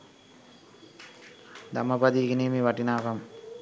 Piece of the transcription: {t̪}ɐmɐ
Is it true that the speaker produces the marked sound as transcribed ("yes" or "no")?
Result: no